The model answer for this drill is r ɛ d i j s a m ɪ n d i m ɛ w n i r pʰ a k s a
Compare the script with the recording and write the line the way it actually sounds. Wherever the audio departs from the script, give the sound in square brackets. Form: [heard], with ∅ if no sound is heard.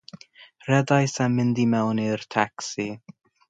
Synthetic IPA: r ɛ d [a] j s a m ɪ n d i m ɛ w n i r [tʰ] a k s [i]